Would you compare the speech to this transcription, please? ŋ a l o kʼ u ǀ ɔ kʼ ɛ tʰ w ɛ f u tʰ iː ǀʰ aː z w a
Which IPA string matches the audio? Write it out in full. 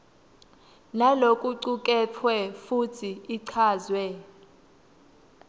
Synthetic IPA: n a l o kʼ u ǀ u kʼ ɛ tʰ w ɛ f u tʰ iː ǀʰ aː z w ɛ